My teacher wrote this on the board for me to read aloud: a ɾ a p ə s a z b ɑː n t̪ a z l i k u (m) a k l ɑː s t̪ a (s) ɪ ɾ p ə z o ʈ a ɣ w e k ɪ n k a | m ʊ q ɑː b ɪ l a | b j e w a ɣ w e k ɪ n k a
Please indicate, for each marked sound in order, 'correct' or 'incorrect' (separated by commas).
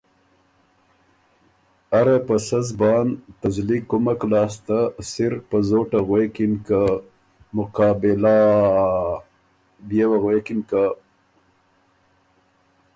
correct, correct